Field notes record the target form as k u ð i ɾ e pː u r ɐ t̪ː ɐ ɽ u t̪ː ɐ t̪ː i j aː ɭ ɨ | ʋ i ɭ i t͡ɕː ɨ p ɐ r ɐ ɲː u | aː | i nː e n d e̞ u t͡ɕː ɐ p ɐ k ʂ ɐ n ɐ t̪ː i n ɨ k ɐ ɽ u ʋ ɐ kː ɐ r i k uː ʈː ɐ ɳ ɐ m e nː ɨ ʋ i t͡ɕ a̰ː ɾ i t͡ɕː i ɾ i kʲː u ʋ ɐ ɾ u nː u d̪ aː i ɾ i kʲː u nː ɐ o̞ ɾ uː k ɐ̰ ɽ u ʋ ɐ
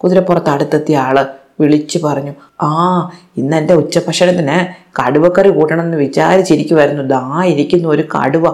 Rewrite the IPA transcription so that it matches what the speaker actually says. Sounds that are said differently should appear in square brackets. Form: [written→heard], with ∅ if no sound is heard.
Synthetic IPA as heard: k u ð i ɾ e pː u r ɐ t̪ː ɐ ɽ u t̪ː ɐ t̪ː i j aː ɭ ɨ | ʋ i ɭ i t͡ɕː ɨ p ɐ r ɐ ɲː u | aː | i nː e n d e̞ u t͡ɕː ɐ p ɐ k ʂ ɐ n ɐ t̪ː i n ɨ k ɐ ɽ u ʋ ɐ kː ɐ r i k uː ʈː ɐ ɳ ɐ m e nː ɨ ʋ i t͡ɕ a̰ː ɾ i t͡ɕː i ɾ i kʲː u ʋ ɐ ɾ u nː u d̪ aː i ɾ i kʲː u nː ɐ o̞ ɾ [uː→u] k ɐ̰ ɽ u ʋ ɐ